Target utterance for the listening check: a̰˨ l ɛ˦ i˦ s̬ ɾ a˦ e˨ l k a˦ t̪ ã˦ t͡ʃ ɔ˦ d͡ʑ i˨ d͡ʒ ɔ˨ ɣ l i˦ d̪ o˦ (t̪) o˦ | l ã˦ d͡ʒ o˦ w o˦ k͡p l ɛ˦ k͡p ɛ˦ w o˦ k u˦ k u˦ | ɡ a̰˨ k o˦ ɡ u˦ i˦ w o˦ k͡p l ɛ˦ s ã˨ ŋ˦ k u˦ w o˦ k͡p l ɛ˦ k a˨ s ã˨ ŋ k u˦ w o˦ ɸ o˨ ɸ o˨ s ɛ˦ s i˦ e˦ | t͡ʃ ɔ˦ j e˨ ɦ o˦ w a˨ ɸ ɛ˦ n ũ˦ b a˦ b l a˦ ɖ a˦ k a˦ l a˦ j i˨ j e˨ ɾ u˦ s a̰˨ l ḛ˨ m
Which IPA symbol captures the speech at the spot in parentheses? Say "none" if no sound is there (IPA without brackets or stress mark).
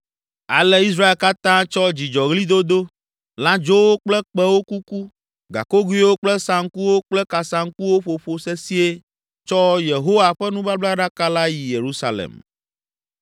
d̪